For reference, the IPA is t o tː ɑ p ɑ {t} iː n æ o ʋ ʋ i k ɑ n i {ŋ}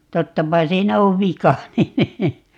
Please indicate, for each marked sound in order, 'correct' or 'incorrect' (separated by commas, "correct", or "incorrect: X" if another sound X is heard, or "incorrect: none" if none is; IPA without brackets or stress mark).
incorrect: s, incorrect: n